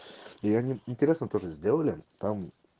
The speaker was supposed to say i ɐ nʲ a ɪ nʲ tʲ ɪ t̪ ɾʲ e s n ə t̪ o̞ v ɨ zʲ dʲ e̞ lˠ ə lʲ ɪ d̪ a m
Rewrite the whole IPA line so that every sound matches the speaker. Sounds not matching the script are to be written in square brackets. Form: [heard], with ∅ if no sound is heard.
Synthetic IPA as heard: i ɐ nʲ [i] ɪ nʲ tʲ ɪ [∅] ɾʲ e s n ə t̪ o̞ [ʐ] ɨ zʲ dʲ e̞ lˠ ə lʲ ɪ [t̪] a m